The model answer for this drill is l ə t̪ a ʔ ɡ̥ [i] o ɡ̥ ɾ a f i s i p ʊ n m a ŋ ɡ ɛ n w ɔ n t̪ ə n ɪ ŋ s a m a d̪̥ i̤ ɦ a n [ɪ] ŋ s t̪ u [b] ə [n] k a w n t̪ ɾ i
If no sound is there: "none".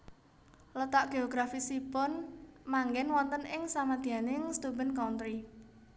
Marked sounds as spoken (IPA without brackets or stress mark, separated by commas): e, ɪ, b, n